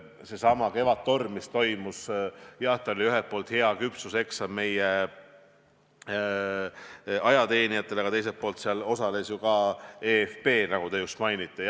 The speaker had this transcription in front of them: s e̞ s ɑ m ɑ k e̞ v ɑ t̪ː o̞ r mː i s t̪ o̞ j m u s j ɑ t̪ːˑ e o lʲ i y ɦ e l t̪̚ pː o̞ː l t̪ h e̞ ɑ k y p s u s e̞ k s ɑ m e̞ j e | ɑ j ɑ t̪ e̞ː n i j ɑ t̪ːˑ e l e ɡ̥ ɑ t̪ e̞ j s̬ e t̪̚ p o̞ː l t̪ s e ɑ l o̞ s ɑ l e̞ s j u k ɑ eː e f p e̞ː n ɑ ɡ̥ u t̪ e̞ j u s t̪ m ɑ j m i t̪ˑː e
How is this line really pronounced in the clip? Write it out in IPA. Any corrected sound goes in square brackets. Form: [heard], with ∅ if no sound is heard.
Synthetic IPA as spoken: s e̞ s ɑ m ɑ k e̞ v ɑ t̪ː o̞ r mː i s t̪ o̞ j m u s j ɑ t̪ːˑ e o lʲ i y ɦ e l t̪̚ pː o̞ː l t̪ h e̞ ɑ k y p s u s e̞ k s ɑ m e̞ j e | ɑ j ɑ t̪ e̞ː n i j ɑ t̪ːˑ e l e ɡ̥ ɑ t̪ e̞ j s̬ e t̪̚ p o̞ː l t̪ s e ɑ l o̞ s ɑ l e̞ s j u k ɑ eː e f p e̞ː n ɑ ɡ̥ u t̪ e̞ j u s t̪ m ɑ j [n] i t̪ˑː e